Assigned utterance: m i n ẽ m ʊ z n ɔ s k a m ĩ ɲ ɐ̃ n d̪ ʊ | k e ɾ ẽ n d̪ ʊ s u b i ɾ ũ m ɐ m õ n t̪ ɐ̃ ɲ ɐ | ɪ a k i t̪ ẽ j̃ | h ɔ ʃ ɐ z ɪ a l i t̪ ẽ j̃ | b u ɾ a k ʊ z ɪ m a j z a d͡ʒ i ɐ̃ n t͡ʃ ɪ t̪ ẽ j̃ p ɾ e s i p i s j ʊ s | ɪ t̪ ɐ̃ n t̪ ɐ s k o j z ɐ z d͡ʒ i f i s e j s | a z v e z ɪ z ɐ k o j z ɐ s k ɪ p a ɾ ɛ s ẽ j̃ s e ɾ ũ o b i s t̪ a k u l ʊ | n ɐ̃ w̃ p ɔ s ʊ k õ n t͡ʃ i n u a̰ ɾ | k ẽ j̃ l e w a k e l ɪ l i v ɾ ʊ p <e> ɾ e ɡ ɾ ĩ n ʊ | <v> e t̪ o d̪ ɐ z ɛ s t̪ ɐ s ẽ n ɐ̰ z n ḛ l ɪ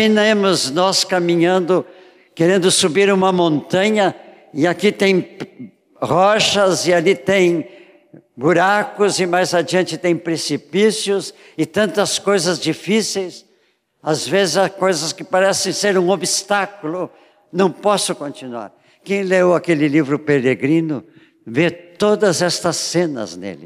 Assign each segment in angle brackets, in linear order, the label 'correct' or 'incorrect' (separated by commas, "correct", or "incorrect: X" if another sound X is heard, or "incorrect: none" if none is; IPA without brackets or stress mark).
correct, correct